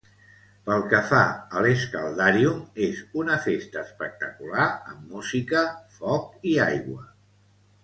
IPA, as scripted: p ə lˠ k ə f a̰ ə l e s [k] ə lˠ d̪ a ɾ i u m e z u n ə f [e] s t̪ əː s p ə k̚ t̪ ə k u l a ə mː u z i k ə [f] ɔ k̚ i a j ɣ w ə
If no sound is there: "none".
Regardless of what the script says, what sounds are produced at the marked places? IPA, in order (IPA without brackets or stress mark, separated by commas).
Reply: k, e, f